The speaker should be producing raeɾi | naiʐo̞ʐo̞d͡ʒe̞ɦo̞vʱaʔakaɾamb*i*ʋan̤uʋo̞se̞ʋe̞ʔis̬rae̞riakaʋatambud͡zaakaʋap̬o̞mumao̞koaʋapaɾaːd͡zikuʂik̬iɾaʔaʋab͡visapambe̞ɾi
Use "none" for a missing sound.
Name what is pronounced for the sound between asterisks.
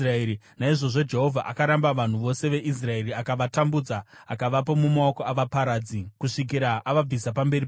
a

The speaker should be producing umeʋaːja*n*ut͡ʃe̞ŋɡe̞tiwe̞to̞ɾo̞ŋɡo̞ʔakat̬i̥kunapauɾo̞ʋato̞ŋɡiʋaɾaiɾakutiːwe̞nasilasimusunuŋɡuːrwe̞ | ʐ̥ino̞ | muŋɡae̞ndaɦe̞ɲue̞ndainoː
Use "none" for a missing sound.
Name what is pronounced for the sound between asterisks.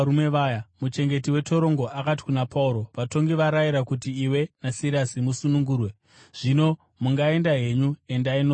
m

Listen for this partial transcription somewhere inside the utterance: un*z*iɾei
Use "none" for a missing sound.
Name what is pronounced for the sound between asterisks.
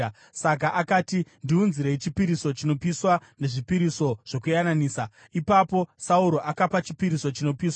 z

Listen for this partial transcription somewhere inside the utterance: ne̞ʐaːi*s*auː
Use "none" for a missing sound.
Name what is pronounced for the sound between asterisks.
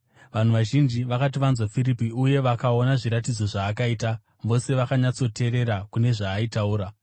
t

